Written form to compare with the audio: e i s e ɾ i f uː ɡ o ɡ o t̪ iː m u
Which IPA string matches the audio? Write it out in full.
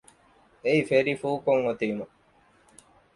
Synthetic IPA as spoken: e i f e ɾ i f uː k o ŋ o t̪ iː m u